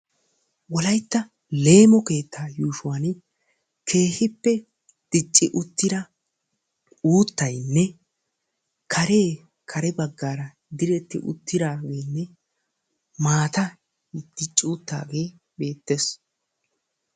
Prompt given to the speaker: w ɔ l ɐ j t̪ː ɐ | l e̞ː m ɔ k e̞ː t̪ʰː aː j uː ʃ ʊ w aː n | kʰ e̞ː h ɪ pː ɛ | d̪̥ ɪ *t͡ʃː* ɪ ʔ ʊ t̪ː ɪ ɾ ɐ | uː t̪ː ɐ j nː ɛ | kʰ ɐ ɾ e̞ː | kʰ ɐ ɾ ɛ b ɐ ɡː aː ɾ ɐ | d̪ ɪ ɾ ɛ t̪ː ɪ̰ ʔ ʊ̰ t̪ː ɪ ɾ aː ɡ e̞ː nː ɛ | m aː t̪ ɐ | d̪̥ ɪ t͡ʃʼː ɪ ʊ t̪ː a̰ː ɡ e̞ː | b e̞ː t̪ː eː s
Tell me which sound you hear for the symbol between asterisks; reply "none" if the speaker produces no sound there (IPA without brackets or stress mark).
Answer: t͡ʃʼː